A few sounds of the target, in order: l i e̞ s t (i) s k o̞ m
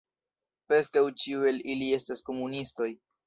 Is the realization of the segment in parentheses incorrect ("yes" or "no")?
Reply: yes